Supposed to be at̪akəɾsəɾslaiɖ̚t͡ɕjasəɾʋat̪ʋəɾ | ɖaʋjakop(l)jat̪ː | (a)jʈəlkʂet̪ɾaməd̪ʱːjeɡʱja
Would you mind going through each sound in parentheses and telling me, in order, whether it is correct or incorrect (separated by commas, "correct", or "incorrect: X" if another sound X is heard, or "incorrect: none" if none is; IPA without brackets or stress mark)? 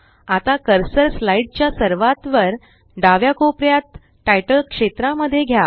incorrect: ɾ, correct